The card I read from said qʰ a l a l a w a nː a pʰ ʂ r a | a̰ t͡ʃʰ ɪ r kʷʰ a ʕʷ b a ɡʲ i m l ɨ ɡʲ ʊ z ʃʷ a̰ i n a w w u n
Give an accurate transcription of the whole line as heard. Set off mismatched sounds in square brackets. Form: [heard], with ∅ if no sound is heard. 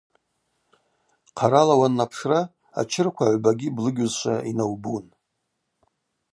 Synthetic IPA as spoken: qʰ a [ɾ] a l a w a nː a pʰ ʂ r a | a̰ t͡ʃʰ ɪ r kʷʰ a ʕʷ b a ɡʲ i [b] l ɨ ɡʲ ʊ z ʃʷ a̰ i n a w [b] u n